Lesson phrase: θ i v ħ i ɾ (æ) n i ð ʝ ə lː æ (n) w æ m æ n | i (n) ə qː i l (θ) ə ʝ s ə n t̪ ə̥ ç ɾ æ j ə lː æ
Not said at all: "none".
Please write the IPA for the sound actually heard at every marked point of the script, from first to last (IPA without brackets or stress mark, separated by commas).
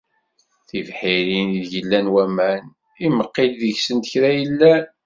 i, n, m, ð